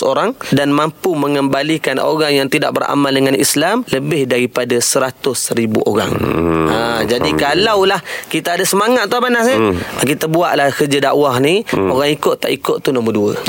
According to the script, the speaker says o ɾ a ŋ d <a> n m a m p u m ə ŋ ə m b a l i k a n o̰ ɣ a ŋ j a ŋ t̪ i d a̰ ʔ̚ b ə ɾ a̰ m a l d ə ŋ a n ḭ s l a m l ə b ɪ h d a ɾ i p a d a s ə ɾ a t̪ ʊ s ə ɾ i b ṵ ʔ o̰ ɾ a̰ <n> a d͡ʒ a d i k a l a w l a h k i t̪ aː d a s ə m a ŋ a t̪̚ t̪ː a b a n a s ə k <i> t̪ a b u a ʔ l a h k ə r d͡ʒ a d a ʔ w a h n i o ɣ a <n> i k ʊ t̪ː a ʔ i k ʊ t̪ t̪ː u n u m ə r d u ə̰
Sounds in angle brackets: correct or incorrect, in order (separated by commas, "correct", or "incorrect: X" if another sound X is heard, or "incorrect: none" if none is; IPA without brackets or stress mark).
correct, incorrect: ŋ, correct, incorrect: ŋ